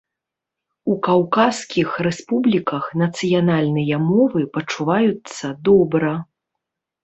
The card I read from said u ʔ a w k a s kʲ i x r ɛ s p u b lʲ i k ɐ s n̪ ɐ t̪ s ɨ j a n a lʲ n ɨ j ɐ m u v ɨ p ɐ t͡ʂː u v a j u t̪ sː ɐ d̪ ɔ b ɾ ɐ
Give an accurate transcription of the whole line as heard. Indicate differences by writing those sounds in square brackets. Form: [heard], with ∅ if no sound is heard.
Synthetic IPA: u [k] a w k a s kʲ i x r ɛ s p u b lʲ i k ɐ [x] n̪ ɐ t̪ s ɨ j a n a lʲ n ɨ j ɐ m [ɔ] v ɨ p ɐ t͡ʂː u v a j u t̪ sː ɐ d̪ ɔ b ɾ ɐ